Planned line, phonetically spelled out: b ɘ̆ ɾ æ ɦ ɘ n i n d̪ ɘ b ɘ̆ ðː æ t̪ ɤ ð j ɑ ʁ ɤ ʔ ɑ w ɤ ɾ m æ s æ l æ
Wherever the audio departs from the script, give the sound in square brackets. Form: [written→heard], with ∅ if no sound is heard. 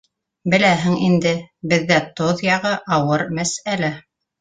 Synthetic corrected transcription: b ɘ̆ [ɾ→l] æ ɦ ɘ [n→ŋ] i n d̪ ɘ b ɘ̆ ðː æ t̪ [ɤ→o] ð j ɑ ʁ ɤ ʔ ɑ w ɤ ɾ m æ s æ l æ